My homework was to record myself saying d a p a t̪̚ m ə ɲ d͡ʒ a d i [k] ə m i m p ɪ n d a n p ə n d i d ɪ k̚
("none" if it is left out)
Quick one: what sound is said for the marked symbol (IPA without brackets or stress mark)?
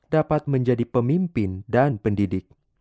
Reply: p